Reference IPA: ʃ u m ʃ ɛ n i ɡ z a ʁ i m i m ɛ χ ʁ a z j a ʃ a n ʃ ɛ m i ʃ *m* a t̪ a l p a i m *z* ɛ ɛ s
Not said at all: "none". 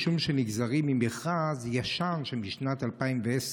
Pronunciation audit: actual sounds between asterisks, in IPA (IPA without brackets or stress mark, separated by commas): n, v